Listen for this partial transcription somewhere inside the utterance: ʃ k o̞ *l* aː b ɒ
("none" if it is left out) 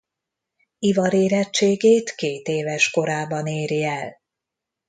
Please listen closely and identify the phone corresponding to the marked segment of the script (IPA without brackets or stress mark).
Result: ɾ